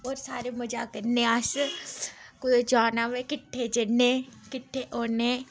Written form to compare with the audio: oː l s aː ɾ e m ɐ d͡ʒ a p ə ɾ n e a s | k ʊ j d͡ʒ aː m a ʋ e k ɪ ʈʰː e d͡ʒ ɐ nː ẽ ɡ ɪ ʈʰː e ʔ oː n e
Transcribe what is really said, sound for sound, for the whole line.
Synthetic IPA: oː ɾ s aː ɾ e m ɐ d͡ʒ a k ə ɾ n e a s | k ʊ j d͡ʒ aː n a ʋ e k ɪ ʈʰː e d͡ʒ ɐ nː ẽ k ɪ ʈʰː e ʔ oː n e

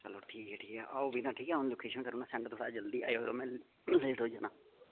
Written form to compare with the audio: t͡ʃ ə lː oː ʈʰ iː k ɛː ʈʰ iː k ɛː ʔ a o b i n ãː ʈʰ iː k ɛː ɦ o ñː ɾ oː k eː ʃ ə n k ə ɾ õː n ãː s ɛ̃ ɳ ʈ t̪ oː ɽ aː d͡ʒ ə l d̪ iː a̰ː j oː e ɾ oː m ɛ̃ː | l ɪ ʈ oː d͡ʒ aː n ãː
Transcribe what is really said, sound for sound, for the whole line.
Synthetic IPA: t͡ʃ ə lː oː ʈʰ iː k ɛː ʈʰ iː k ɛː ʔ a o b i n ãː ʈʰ iː k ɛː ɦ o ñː l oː k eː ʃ ə n k ə ɾ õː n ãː s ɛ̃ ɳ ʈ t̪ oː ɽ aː d͡ʒ ə l d̪ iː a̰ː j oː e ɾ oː m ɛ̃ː | l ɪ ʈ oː d͡ʒ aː n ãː

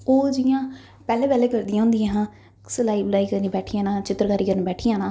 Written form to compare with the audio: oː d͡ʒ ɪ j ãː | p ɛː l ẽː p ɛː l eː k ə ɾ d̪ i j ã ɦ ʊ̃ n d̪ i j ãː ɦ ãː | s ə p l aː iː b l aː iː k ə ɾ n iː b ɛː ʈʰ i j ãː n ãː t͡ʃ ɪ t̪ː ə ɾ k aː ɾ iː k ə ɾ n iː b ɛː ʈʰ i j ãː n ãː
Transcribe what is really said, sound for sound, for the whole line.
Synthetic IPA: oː d͡ʒ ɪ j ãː | p ɛː l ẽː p ɛː l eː k ə ɾ d̪ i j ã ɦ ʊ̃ n d̪ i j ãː ɦ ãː | s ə l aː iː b l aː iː k ə ɾ n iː b ɛː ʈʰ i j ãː n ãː t͡ʃ ɪ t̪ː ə ɾ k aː ɾ iː k ə ɾ n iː b ɛː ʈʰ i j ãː n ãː

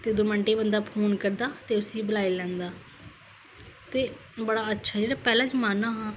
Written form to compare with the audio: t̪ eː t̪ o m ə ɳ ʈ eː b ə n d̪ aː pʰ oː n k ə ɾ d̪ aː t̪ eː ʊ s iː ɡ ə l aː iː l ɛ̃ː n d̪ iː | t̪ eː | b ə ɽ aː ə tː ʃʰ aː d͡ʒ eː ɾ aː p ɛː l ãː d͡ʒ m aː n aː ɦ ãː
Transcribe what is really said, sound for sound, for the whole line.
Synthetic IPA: t̪ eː d̪ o m ə ɳ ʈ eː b ə n d̪ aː pʰ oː n k ə ɾ d̪ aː t̪ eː ʊ s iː b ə l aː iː l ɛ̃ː n d̪ aː | t̪ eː | b ə ɽ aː ə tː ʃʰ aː d͡ʒ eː ɽ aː p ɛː l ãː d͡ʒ m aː n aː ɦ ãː

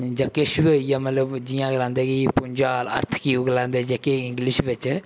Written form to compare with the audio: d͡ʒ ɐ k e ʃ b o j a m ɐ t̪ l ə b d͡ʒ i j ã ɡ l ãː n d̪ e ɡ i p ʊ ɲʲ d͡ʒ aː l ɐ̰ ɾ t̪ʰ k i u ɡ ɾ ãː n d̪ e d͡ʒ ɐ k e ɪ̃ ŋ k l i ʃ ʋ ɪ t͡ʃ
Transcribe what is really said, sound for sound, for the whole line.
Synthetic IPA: d͡ʒ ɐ k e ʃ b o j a m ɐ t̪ l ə b d͡ʒ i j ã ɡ l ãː n d̪ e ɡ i p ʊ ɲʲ d͡ʒ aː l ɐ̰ ɾ t̪ʰ k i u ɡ l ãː n d̪ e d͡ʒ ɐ k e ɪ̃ ŋ ɡ l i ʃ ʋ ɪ t͡ʃ

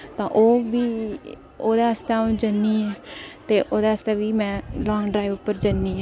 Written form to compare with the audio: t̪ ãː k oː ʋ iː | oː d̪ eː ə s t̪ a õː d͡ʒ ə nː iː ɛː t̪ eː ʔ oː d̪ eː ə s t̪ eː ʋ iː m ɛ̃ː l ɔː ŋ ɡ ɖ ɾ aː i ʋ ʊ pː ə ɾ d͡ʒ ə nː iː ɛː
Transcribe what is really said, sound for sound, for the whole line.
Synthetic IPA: t̪ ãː ʔ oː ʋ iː | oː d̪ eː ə s t̪ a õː d͡ʒ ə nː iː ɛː t̪ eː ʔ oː d̪ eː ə s t̪ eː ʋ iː m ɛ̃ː l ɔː ŋ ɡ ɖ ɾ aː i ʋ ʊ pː ə ɾ d͡ʒ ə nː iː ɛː

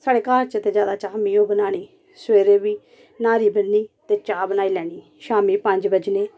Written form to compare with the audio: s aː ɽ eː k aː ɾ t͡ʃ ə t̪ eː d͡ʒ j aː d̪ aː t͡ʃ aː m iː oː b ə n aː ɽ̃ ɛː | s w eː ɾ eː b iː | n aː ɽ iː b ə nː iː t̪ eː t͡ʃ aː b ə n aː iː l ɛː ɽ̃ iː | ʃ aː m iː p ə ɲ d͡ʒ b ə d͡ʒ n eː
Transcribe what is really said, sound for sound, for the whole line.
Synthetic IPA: s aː ɽ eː k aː ɾ t͡ʃ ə t̪ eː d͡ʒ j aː d̪ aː t͡ʃ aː m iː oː b ə n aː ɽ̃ iː | s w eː ɾ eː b iː | n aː ɾ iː b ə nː iː t̪ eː t͡ʃ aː b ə n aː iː l ɛː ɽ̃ iː | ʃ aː m iː p ə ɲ d͡ʒ b ə d͡ʒ n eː

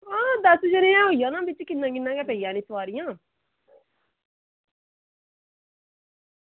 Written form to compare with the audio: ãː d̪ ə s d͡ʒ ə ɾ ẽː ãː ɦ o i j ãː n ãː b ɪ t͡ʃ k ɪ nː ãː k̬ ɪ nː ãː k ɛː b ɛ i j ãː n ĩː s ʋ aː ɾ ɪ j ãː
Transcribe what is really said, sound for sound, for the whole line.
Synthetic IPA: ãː d̪ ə s d͡ʒ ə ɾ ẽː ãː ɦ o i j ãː n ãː b ɪ t͡ʃ k ɪ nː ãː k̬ ɪ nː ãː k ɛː p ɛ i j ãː n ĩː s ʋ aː ɾ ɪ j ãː

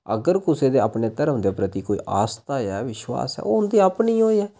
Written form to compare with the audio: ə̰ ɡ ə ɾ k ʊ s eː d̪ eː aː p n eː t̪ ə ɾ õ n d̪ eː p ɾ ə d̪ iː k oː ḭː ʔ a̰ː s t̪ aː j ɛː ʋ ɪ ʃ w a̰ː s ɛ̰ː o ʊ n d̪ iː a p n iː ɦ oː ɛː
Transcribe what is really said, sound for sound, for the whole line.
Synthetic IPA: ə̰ ɡ ə ɾ k ʊ s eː d̪ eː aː p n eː t̪ ə ɾ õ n d̪ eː p ɾ ə t̪ iː k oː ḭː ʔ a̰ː s t̪ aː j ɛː ʋ ɪ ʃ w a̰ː s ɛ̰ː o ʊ n d̪ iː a p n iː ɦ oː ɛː

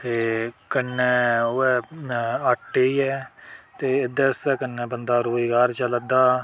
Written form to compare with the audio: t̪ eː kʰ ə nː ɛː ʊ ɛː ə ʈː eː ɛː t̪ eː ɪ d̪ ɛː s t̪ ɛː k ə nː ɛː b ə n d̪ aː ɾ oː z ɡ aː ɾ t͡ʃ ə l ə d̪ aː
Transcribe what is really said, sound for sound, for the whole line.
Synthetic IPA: t̪ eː k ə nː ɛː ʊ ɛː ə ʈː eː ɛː t̪ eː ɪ d̪ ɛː s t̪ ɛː k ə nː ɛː b ə n d̪ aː ɾ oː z ɡ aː ɾ t͡ʃ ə l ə d̪ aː

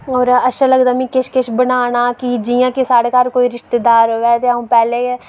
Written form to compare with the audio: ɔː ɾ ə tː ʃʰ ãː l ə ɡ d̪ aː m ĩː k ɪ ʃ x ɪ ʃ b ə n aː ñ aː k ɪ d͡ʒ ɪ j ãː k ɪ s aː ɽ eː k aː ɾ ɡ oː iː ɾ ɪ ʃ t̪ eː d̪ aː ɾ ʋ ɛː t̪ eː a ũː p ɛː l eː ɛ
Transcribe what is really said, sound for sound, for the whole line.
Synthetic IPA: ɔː ɾ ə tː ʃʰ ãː l ə ɡ d̪ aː m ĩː k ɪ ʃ k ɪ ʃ b ə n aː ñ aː k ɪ d͡ʒ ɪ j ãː k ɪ s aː ɽ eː k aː ɾ k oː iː ɾ ɪ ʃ t̪ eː d̪ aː ɾ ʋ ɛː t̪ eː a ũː p ɛː l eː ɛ

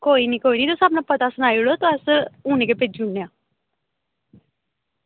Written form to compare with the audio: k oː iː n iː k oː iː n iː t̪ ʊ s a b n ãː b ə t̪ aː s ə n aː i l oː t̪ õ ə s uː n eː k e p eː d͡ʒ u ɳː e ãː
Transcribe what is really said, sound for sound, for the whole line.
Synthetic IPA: k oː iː n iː k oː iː n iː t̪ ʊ s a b n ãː p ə t̪ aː s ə n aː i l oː t̪ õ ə s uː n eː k e p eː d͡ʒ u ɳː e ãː

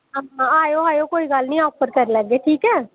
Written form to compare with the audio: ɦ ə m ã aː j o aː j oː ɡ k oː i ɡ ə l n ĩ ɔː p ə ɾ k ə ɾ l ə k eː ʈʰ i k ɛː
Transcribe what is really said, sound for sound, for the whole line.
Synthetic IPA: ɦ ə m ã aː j o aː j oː k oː i ɡ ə l n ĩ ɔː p ə ɾ k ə ɾ l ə ɡ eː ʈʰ iː k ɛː

